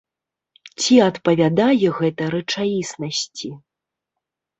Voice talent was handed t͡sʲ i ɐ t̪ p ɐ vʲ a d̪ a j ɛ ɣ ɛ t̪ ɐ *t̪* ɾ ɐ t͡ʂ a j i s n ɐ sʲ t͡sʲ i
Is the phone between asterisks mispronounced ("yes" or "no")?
yes